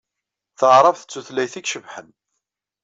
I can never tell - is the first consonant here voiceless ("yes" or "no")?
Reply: yes